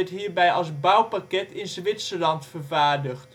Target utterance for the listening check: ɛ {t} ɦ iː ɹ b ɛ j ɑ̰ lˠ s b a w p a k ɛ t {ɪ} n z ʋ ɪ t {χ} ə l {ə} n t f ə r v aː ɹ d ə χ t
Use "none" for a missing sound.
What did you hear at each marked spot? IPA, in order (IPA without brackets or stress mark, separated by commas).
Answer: t, ɪ, s, ɑ